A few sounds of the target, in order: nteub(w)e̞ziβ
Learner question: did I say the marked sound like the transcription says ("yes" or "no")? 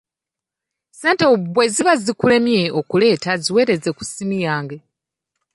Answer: yes